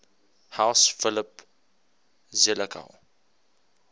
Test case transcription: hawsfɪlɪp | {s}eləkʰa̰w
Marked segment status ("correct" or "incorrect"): incorrect